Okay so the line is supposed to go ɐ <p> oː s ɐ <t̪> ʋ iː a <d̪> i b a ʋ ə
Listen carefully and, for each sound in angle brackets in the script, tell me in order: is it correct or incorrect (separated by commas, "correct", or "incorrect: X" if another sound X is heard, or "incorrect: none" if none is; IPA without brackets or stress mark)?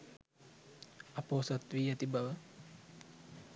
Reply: correct, correct, incorrect: t̪